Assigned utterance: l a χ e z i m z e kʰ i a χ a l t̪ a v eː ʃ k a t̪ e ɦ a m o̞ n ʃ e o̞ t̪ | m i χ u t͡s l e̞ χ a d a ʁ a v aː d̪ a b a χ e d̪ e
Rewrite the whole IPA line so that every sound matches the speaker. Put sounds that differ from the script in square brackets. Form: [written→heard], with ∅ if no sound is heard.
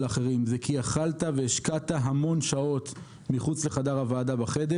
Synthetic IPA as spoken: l a χ e [z→ʁ] i m z e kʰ i a χ a l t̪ a v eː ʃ k a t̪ [e→a] ɦ a m o̞ n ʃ [e→a] o̞ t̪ | m i χ u t͡s l e̞ χ a d a ʁ a v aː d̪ a b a χ e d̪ e